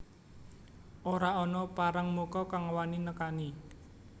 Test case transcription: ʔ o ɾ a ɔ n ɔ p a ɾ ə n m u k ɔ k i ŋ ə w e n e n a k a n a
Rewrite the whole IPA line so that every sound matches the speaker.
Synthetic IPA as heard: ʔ o ɾ a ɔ n ɔ p a ɾ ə ŋ m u k ɔ k a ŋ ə w a n i n ə k a n i